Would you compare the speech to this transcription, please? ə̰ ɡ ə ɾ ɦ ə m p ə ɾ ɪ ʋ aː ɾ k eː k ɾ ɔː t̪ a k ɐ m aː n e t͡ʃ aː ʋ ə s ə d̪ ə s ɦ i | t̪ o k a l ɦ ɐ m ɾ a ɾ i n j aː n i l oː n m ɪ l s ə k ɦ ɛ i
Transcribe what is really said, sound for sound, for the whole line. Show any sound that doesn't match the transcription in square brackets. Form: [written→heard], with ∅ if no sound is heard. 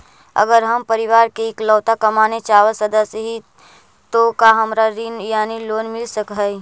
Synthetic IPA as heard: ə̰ ɡ ə ɾ ɦ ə m p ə ɾ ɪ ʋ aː ɾ k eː k [ɾ→l] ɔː t̪ a k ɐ m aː n e t͡ʃ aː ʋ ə s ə d̪ ə s ɦ i | t̪ o k a [l→∅] ɦ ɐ m ɾ a ɾ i n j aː n i l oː n m ɪ l s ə k ɦ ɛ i

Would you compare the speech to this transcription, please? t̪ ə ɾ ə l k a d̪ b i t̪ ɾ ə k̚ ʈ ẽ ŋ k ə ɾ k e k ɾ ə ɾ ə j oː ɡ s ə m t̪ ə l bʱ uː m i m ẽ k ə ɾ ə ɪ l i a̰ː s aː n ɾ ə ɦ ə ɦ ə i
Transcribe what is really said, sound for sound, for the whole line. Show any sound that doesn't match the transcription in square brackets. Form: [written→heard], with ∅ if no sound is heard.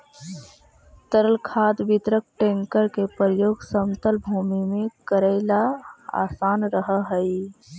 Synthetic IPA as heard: t̪ ə ɾ ə l [k→kʰ] a d̪ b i t̪ ɾ ə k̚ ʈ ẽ ŋ k ə ɾ k e [k→p] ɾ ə ɾ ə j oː ɡ s ə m t̪ ə l bʱ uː m i m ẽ k ə ɾ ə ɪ l [i→a] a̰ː s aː n ɾ ə ɦ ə ɦ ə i

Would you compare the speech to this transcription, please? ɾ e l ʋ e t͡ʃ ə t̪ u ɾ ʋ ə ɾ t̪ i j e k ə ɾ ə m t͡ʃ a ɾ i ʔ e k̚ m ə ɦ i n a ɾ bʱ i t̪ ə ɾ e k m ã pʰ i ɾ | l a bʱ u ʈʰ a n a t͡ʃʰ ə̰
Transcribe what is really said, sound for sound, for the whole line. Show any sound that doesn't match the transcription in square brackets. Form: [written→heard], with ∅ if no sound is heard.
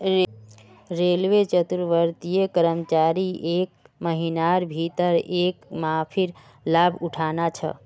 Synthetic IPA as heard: ɾ e l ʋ e t͡ʃ ə t̪ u ɾ ʋ ə ɾ t̪ i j e k ə ɾ ə m t͡ʃ a ɾ i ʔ e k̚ m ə ɦ i n a ɾ bʱ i t̪ ə ɾ e k m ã pʰ i ɾ | l a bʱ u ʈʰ a n a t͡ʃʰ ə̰

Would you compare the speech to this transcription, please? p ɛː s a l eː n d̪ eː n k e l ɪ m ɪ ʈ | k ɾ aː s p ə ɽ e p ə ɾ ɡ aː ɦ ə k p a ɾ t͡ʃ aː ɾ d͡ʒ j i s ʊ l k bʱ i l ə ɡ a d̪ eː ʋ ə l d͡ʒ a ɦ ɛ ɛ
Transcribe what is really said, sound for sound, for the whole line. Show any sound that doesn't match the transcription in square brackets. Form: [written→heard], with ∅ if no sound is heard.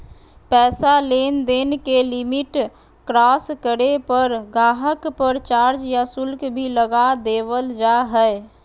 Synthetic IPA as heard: p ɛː s a l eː n d̪ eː n k e l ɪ m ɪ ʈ | k ɾ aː s [p→k] ə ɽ e p ə ɾ ɡ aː ɦ ə k p [a→ə] ɾ t͡ʃ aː ɾ d͡ʒ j [i→a] s ʊ l k bʱ i l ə ɡ a d̪ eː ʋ ə l d͡ʒ a ɦ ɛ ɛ

